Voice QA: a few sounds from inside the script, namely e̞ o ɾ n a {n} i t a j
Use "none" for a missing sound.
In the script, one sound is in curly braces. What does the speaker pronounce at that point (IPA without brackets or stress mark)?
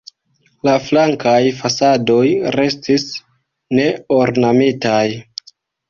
m